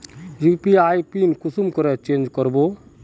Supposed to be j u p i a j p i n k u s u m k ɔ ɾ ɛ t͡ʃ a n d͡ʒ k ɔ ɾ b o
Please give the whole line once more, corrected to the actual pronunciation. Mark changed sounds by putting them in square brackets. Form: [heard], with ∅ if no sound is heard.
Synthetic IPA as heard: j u p i a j p i n k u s u m k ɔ ɾ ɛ t͡ʃ [e] n d͡ʒ k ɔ ɾ b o

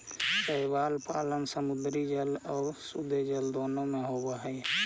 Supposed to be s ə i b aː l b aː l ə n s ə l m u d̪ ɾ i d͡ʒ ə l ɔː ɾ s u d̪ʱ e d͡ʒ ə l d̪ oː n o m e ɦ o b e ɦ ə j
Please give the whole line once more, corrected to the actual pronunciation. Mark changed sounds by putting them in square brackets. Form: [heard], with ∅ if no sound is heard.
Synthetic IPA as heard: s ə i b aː l [p] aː l ə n s ə [∅] m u d̪ ɾ i d͡ʒ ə l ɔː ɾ s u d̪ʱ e d͡ʒ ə l d̪ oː n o m e ɦ o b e ɦ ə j

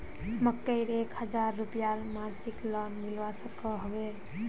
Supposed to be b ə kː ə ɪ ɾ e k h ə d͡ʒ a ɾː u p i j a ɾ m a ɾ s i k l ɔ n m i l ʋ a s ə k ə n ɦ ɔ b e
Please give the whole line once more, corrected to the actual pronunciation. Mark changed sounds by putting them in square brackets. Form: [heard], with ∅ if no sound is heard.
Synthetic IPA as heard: [m] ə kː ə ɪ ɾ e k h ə d͡ʒ a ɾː u p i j a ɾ m a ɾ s i k l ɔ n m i l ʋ a s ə k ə [∅] ɦ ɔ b e

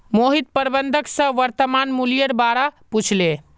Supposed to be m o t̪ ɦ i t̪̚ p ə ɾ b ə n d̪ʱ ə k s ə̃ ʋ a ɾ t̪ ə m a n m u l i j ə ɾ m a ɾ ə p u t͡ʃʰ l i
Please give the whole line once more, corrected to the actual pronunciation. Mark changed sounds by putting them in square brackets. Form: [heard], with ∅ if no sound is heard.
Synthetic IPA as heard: m o [∅] ɦ i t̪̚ p ə ɾ b ə n d̪ʱ ə k s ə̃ ʋ [ə] ɾ t̪ ə m a n m u l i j ə ɾ [b] a ɾ [a] p u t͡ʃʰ l [e]

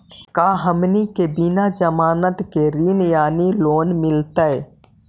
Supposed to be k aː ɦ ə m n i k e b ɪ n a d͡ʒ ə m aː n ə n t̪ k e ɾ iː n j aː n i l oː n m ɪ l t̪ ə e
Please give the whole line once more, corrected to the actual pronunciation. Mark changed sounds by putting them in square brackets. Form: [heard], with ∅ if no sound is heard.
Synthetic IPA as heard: k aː ɦ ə m n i k e b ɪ n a d͡ʒ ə m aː n ə [∅] t̪ k e ɾ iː n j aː n i l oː n m ɪ l t̪ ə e

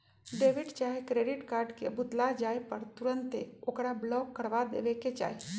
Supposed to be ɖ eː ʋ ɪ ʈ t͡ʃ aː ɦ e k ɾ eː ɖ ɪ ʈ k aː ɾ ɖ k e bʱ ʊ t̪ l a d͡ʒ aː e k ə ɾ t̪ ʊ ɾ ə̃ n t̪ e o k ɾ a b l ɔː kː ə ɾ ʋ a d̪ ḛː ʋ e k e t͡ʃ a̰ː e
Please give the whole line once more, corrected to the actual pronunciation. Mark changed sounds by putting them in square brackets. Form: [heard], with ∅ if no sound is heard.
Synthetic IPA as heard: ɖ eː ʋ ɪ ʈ t͡ʃ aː ɦ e k ɾ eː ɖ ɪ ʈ k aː ɾ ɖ k e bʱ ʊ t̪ l a d͡ʒ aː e [p] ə ɾ t̪ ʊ ɾ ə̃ n t̪ e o k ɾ a b l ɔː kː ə ɾ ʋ a d̪ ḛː ʋ e k e t͡ʃ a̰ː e

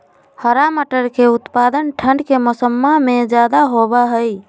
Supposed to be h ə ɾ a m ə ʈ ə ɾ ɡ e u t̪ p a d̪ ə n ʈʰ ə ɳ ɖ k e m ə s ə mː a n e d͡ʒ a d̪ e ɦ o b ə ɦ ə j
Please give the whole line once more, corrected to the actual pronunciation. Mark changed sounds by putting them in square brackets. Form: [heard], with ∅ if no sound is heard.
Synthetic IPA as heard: h ə ɾ a m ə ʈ ə ɾ [k] e u t̪ p a d̪ ə n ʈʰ ə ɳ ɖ k e m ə s ə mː a [m] e d͡ʒ a d̪ [a] ɦ o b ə ɦ ə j

